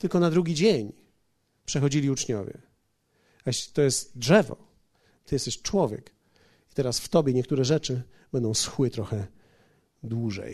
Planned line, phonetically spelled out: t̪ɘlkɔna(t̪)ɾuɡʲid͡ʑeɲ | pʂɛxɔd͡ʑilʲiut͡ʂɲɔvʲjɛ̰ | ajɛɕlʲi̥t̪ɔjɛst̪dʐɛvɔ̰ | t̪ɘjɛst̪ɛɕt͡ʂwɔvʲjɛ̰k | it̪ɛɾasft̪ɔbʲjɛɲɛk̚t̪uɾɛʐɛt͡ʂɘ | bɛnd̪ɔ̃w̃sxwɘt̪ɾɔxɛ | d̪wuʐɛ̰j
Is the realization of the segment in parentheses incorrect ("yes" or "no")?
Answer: yes